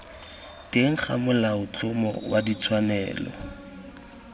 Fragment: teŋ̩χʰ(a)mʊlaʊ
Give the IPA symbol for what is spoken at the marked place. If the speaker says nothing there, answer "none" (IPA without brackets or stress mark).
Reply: a